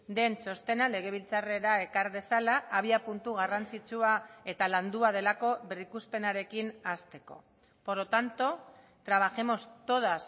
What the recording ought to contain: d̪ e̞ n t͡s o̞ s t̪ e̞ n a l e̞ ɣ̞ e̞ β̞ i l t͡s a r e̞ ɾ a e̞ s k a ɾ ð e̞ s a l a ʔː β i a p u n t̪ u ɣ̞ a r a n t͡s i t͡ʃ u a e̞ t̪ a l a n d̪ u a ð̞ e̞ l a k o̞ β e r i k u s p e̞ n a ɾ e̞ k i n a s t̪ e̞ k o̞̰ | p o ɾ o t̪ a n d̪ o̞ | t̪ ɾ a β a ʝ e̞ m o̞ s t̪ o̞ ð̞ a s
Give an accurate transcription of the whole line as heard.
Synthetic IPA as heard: d̪ e̞ n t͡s o̞ s t̪ e̞ n a l e̞ ɣ̞ e̞ β̞ i l t͡s a r e̞ ɾ a e̞ k a ɾ ð e̞ s a l a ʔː β i a p u n t̪ u ɣ̞ a r a n t͡s i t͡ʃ u a e̞ t̪ a l a n d̪ u a ð̞ e̞ l a k o̞ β e r i k u s p e̞ n a ɾ e̞ k i n a s t̪ e̞ k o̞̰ | p o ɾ o t̪ a n t̪ o̞ | t̪ ɾ a β a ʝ e̞ m o̞ s t̪ o̞ ð̞ a s

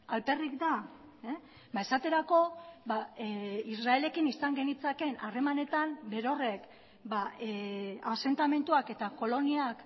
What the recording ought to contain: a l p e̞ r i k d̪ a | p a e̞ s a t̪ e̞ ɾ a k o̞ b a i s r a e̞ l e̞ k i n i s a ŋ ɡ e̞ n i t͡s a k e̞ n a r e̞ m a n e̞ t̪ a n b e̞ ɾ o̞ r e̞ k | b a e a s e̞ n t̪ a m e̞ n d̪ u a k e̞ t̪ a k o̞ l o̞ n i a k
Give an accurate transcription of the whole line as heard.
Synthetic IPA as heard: a l p e̞ r i k d̪ a | b a e̞ s a t̪ e̞ ɾ a k o̞ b a i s r a e̞ l e̞ k i n i s a ŋ ɡ e̞ n i t͡s a k e̞ n a r e̞ m a n e̞ t̪ a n b e̞ ɾ o̞ r e̞ k | b a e a s e̞ n t̪ a m e̞ n t̪ u a k e̞ t̪ a k o̞ l o̞ n i a k

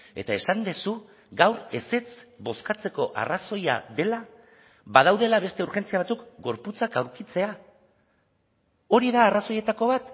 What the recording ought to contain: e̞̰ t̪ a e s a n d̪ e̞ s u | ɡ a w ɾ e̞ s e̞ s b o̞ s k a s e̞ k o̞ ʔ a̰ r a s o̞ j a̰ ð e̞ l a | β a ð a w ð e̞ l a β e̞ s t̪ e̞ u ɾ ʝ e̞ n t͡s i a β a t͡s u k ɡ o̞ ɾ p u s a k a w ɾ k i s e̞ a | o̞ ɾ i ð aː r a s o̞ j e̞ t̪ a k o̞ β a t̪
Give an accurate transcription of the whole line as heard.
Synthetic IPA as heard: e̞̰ t̪ a e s a n d̪ e̞ s u | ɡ a w ɾ e̞ s e̞ t͡s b o̞ s k a t͡s e̞ k o̞ ʔ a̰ r a s o̞ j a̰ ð e̞ l a | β a ð a w ð e̞ l a β e̞ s t̪ e̞ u ɾ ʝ e̞ n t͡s i a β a t͡s u k ɡ o̞ ɾ p u t͡s a k a w ɾ k i t͡s e̞ a | o̞ ɾ i ð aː r a s o̞ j e̞ t̪ a k o̞ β a t̪

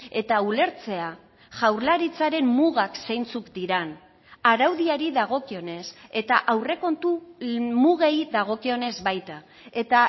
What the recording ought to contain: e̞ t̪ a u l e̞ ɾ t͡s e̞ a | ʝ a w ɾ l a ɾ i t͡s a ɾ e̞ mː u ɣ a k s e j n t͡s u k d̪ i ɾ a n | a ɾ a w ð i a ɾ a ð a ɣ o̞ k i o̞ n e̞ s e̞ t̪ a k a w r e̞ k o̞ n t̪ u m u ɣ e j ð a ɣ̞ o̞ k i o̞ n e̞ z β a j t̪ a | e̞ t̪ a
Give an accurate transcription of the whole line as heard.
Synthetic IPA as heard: e̞ t̪ a u l e̞ ɾ t͡s e̞ a | ʝ a w ɾ l a ɾ i t͡s a ɾ e̞ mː u ɣ a k s e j n t͡s u k d̪ i ɾ a n | a ɾ a w ð i a ɾ i ð a ɣ o̞ k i o̞ n e̞ s e̞ t̪ a ʔ a w r e̞ k o̞ n t̪ u m u ɣ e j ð a ɣ̞ o̞ k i o̞ n e̞ z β a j t̪ a | e̞ t̪ a

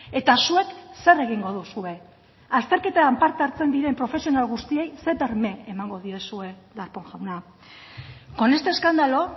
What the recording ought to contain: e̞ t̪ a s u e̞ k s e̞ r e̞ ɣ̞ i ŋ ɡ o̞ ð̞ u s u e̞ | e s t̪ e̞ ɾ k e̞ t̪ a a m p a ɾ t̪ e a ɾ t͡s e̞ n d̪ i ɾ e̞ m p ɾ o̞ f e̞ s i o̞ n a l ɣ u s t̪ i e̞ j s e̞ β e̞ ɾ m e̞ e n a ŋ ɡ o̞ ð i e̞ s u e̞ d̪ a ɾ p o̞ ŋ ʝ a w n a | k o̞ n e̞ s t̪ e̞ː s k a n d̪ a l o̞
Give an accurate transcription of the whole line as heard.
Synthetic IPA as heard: e̞ t̪ a s u e̞ k s e̞ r e̞ ɣ̞ i ŋ ɡ o̞ ð̞ u s u e̞ | a s t̪ e̞ ɾ k e̞ t̪ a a m p a ɾ t̪ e a ɾ t͡s e̞ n d̪ i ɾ e̞ m p ɾ o̞ f e̞ s i o̞ n a l ɣ u s t̪ i e̞ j s e̞ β e̞ ɾ m e̞ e m a ŋ ɡ o̞ ð i e̞ s u e̞ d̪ a ɾ p o̞ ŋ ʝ a w n a | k o̞ n e̞ s t̪ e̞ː s k a n d̪ a l o̞

